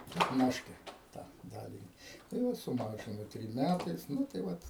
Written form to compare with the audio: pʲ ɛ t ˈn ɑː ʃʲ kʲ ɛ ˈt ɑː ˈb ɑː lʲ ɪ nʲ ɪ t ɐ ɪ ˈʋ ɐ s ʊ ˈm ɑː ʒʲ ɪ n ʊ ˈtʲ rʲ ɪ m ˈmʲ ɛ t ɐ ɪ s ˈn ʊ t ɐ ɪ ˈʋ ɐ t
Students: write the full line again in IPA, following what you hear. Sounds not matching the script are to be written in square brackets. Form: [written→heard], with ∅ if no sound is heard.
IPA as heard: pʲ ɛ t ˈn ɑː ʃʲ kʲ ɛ ˈt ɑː [ˈb→ˈd] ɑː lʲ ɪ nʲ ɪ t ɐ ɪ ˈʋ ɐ s ʊ ˈm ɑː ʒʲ ɪ n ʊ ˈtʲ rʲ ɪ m ˈmʲ [ɛ→æ] t ɐ ɪ s ˈn ʊ t ɐ ɪ ˈʋ ɐ t